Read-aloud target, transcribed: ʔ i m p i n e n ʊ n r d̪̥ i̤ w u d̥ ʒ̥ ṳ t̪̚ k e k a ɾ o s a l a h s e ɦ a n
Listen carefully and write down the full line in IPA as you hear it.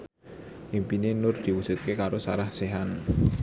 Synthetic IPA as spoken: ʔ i m p i n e n ʊ r d̪̥ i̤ w u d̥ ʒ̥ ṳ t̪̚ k e k a ɾ o s a ɾ a h s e ɦ a n